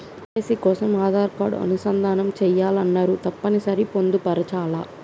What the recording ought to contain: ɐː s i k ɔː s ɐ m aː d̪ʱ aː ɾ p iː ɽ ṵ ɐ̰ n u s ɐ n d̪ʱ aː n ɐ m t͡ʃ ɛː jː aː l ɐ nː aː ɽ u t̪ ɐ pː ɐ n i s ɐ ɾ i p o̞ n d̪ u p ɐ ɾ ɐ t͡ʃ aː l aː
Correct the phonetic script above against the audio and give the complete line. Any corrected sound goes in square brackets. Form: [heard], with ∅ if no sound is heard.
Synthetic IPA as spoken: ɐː s i k ɔː s ɐ m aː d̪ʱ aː ɾ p [aː] ɽ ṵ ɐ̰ n u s ɐ n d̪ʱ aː n ɐ m t͡ʃ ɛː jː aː l ɐ nː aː [ɾ] u t̪ ɐ pː ɐ n i s ɐ ɾ i p o̞ n d̪ u p ɐ ɾ ɐ t͡ʃ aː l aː